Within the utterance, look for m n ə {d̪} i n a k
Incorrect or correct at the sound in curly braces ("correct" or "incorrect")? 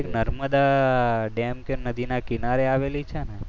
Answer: correct